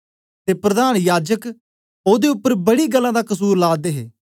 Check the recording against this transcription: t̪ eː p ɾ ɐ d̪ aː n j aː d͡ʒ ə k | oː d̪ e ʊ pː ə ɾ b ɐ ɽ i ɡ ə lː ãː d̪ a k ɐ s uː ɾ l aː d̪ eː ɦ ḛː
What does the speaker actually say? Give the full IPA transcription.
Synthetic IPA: t̪ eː p ɾ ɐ d̪ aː n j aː d͡ʒ ə k | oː d̪ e ʊ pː ə ɾ b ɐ ɽ i ɡ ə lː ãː d̪ a k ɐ s uː ɾ l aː d̪ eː ɦ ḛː